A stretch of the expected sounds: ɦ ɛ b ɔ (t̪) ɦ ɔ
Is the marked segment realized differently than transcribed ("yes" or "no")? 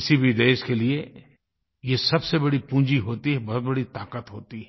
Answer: yes